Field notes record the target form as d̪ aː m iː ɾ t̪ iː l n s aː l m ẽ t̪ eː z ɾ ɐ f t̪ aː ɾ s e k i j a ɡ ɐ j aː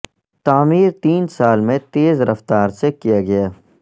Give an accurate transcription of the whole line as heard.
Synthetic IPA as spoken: t̪ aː m iː ɾ t̪ iː n s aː l m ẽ t̪ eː z ɾ ɐ f t̪ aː ɾ s e k i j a ɡ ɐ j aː